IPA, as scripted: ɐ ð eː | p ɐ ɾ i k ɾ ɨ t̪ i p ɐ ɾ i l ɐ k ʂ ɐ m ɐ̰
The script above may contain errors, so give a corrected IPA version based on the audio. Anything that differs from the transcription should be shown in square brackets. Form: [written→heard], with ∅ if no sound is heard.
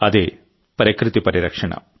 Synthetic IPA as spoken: ɐ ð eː | p ɐ ɾ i k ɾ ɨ t̪ i p ɐ ɾ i [l→ɾ] ɐ k ʂ ɐ [m→ɳ] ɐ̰